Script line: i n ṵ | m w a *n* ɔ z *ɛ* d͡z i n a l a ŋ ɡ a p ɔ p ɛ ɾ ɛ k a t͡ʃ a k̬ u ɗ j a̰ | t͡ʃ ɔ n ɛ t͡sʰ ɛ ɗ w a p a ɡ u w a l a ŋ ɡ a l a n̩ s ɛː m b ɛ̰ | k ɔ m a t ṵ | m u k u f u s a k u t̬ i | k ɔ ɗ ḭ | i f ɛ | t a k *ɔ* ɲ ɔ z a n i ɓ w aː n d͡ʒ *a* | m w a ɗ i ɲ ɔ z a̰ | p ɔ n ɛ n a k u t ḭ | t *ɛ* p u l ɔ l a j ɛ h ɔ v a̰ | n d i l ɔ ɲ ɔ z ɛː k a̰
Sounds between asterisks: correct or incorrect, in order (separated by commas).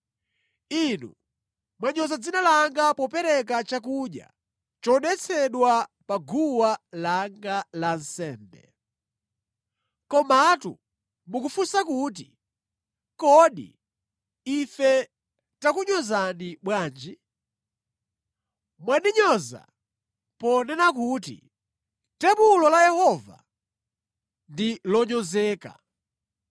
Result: incorrect, incorrect, incorrect, incorrect, correct